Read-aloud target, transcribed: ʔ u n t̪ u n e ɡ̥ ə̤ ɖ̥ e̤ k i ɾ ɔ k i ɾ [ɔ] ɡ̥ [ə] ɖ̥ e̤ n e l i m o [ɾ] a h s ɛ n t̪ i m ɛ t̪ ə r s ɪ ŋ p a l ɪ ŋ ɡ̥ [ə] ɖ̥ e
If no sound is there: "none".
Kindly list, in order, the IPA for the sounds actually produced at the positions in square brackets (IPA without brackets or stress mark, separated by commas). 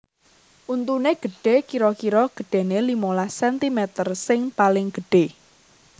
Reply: ɔ, ə, l, ə